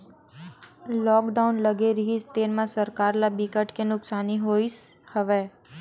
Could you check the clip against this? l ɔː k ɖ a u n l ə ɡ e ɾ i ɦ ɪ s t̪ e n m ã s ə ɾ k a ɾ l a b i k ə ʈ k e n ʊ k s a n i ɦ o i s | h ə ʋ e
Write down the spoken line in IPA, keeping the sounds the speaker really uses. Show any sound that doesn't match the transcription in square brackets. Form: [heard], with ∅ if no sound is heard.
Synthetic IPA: l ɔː k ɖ a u n l ə ɡ e ɾ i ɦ [i] s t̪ e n m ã s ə ɾ k a ɾ l a b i k ə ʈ k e n ʊ k s a n i ɦ o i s | h ə ʋ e